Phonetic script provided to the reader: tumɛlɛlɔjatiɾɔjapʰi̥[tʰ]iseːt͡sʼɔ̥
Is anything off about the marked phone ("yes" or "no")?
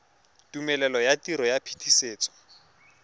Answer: no